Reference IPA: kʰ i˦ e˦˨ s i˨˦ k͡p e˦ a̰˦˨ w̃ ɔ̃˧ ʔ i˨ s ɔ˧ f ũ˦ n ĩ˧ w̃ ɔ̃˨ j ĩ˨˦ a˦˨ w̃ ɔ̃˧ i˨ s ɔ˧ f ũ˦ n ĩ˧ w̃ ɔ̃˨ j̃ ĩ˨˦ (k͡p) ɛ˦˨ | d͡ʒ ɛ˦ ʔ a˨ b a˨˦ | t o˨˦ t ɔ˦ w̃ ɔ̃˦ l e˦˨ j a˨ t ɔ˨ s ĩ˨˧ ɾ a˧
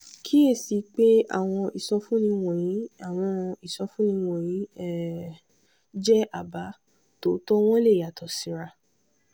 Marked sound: incorrect: none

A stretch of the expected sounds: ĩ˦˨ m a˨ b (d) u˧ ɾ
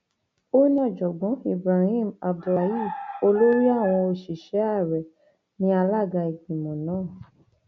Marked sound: correct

